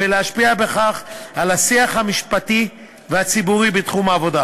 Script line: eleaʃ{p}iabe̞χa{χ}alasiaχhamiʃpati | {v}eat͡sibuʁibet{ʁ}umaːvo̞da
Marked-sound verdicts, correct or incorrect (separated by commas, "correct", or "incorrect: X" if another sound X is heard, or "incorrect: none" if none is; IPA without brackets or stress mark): correct, correct, correct, incorrect: χ